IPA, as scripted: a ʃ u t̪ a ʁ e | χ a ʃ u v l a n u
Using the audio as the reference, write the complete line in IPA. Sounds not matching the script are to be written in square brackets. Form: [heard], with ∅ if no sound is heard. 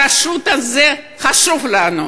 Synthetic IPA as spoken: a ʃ u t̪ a [z] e | χ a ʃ u v l a n u